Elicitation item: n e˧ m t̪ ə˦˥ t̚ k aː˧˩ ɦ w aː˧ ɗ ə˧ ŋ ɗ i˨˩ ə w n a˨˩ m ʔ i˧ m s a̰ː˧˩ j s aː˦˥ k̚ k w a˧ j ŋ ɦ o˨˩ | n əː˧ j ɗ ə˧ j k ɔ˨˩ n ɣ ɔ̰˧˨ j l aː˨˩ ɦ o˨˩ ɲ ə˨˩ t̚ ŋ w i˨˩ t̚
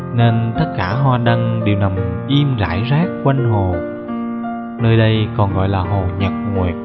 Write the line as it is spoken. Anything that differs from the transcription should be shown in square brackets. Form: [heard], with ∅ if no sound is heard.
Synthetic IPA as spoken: n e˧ [n] t̪ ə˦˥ t̚ k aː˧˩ ɦ w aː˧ ɗ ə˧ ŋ ɗ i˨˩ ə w n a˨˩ m ʔ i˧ m [z] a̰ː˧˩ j [z] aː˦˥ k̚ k w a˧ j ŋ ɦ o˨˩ | n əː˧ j ɗ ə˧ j k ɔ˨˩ n ɣ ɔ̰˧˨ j l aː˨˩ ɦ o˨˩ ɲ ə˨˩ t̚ ŋ w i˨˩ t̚

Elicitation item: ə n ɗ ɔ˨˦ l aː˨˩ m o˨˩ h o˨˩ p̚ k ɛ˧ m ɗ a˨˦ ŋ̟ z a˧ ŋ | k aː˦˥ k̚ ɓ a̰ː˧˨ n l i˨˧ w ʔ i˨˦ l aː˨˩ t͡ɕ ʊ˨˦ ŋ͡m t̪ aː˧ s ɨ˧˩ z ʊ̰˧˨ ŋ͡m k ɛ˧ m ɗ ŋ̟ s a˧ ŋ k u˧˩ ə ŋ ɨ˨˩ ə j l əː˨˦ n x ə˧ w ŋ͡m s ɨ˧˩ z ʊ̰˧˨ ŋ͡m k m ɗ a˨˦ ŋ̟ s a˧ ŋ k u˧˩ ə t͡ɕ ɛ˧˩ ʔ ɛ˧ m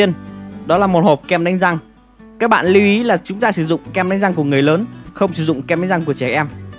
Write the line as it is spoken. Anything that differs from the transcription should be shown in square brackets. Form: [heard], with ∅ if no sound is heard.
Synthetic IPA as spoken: ə n ɗ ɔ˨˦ l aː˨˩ m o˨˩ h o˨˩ p̚ k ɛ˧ m ɗ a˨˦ ŋ̟ z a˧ ŋ | k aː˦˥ k̚ ɓ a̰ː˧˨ n l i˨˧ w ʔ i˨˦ l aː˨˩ t͡ɕ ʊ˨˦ ŋ͡m t̪ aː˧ s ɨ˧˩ z ʊ̰˧˨ ŋ͡m k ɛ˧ m ɗ ŋ̟ [z] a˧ ŋ k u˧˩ ə ŋ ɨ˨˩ ə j l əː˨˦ n x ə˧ w ŋ͡m s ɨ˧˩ z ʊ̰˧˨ ŋ͡m k m ɗ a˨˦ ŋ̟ [z] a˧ ŋ k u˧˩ ə t͡ɕ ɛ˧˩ ʔ ɛ˧ m

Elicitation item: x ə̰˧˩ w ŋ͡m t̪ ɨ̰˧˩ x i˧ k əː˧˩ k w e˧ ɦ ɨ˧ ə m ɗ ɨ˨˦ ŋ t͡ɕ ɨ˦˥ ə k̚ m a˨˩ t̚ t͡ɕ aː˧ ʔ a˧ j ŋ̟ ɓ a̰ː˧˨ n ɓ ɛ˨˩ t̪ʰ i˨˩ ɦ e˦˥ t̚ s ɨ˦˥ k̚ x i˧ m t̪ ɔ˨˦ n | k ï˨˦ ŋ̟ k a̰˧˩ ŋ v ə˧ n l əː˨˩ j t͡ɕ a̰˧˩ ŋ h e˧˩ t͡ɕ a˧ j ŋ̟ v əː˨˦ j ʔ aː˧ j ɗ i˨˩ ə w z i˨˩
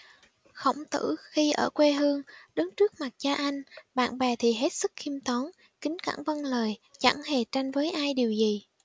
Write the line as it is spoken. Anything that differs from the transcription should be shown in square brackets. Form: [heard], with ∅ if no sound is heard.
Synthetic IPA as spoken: x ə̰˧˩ w ŋ͡m t̪ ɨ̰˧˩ x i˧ [ʔ] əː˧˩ k w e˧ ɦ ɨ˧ ə [ŋ] ɗ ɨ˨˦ ŋ t͡ɕ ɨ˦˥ ə k̚ m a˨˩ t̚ t͡ɕ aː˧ ʔ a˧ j ŋ̟ ɓ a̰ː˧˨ n ɓ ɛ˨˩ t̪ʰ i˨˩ ɦ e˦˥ t̚ s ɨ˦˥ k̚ x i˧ m t̪ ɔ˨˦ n | k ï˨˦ ŋ̟ k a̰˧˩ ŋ v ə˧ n l əː˨˩ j t͡ɕ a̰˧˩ ŋ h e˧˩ t͡ɕ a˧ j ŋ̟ v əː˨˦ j ʔ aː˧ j ɗ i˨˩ ə w z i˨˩

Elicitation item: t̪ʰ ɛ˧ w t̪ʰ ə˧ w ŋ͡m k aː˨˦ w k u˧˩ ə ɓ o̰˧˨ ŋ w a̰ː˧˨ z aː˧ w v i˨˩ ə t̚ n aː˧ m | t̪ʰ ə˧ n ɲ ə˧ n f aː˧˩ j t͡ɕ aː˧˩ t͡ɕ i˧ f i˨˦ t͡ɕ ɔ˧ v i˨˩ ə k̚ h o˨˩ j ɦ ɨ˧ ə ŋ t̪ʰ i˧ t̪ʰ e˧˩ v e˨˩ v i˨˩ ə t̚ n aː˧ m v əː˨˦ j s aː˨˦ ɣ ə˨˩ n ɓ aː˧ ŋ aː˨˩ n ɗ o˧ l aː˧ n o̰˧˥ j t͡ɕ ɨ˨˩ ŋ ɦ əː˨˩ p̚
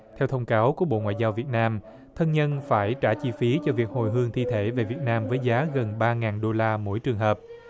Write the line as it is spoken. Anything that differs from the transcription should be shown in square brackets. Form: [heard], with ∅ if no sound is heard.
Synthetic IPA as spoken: t̪ʰ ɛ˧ w t̪ʰ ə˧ w ŋ͡m k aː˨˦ w k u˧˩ ə ɓ o̰˧˨ ŋ w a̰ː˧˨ z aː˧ w v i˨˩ ə t̚ n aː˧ m | t̪ʰ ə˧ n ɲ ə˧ n f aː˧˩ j t͡ɕ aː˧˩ t͡ɕ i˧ f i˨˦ t͡ɕ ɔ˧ v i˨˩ ə k̚ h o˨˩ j ɦ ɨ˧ ə ŋ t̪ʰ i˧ t̪ʰ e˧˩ v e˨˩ v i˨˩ ə t̚ n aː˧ m v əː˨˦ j [z] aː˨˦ ɣ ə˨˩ n ɓ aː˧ ŋ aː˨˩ n ɗ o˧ l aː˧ [m] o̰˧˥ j t͡ɕ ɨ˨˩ ŋ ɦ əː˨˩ p̚

